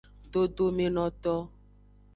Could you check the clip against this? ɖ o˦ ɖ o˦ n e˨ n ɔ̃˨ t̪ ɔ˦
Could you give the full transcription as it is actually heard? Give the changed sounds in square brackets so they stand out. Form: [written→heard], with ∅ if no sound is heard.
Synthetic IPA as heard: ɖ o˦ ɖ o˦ [n→m] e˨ n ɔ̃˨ t̪ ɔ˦